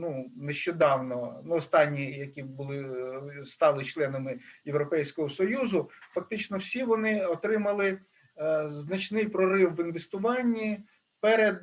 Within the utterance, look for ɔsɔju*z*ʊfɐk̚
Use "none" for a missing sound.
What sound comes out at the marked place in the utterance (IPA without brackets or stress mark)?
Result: z